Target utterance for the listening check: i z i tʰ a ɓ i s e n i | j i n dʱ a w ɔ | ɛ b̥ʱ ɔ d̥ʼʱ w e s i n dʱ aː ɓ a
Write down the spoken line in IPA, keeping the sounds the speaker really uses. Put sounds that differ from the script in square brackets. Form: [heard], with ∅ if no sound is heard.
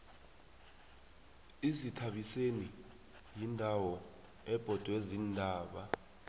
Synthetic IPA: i z i tʰ a ɓ i s e n i | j i n dʱ a w ɔ | ɛ b̥ʱ ɔ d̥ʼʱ w e [z] i n dʱ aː ɓ a